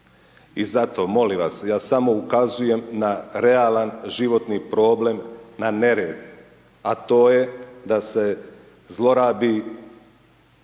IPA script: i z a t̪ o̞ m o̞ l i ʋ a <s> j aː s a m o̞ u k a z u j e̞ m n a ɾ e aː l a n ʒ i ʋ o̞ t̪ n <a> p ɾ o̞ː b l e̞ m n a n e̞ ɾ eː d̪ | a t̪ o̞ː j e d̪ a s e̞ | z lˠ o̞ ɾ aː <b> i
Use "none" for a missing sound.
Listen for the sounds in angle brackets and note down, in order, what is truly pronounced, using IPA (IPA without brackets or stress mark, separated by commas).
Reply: s, i, b